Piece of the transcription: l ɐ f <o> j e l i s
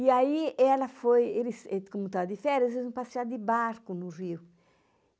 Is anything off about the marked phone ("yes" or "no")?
no